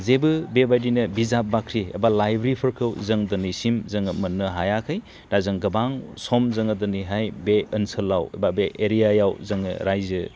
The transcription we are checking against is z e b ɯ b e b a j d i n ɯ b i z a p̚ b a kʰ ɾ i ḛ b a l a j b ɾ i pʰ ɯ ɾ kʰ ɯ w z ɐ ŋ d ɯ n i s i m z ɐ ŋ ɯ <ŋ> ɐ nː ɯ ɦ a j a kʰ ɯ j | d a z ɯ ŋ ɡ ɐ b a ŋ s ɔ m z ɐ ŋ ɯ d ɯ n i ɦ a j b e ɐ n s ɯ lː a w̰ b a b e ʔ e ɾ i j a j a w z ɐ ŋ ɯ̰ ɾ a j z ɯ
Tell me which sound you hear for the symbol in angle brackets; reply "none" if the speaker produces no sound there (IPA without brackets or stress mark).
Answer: m